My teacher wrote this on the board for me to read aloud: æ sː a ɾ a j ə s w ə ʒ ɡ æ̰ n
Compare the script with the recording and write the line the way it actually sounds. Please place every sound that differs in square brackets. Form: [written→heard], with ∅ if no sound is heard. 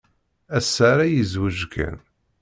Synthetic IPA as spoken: æ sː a ɾ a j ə [s→z] w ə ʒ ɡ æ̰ n